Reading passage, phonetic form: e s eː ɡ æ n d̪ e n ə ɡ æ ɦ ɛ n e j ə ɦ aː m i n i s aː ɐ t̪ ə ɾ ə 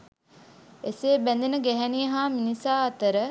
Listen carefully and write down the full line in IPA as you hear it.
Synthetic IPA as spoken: e s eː b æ n d̪ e n ə ɡ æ ɦ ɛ n i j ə ɦ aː m i n i s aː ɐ t̪ ə ɾ ə